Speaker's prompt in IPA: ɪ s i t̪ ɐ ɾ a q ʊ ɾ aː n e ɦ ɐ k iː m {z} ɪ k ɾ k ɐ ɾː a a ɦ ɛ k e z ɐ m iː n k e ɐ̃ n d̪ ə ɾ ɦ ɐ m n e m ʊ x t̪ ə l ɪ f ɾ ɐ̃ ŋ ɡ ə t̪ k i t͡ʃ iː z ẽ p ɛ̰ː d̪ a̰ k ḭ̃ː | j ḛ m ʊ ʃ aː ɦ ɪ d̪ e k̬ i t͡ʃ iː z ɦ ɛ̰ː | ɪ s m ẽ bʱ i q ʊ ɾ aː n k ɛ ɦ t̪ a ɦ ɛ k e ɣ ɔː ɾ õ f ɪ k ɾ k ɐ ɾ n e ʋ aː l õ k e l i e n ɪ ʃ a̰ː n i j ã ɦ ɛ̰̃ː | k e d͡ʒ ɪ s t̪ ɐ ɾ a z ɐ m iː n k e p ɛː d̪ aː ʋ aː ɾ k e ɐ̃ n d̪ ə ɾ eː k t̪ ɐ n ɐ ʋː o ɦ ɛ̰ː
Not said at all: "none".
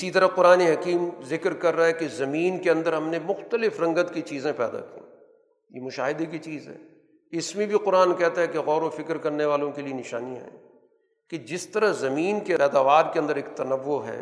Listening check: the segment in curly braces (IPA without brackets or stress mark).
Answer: z